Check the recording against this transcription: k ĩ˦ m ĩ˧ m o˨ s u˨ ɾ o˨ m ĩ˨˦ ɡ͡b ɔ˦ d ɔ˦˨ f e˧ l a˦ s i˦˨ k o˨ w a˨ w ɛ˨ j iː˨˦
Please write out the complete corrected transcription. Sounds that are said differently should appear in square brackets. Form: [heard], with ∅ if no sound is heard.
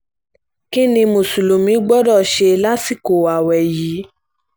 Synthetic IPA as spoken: k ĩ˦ [n] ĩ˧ m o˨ s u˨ [l] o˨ m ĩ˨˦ ɡ͡b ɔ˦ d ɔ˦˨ [ʃ] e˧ l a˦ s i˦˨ k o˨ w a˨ w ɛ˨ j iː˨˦